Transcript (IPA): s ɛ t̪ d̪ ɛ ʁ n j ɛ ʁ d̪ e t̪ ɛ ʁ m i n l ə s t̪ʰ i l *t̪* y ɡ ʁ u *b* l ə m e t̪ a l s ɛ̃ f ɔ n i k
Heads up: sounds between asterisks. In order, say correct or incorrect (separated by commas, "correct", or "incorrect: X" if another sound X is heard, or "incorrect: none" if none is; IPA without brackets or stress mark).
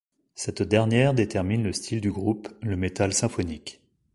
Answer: incorrect: d̪, incorrect: p